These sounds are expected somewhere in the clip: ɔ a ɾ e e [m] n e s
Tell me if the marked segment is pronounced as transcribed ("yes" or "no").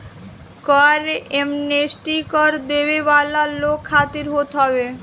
yes